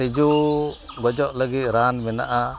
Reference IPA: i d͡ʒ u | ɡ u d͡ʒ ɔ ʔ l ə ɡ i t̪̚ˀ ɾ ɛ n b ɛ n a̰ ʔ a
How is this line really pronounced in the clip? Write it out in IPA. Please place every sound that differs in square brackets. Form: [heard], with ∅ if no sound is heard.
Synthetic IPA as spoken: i d͡ʒ u | ɡ [ɔ] d͡ʒ ɔ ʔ l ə ɡ i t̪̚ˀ ɾ [a] n [m] ɛ n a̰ ʔ a